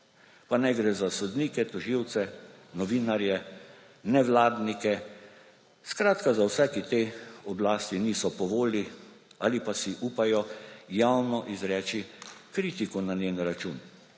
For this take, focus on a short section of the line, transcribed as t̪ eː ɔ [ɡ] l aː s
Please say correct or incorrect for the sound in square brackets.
incorrect